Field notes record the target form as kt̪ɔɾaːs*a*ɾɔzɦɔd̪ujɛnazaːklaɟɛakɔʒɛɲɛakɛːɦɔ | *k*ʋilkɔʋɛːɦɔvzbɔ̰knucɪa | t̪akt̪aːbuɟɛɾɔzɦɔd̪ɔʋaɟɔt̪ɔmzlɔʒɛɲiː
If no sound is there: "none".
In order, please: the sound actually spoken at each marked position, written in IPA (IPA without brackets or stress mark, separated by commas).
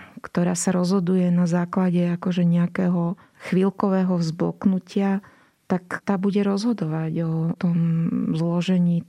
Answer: a, x